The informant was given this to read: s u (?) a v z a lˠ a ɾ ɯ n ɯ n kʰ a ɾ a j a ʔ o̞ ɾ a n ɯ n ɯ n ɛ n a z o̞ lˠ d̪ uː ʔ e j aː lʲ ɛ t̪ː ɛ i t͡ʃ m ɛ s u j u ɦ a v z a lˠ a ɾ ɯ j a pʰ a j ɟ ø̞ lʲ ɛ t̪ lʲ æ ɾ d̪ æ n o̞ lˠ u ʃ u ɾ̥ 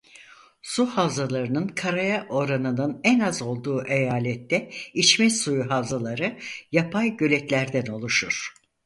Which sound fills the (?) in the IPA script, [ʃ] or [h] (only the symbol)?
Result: h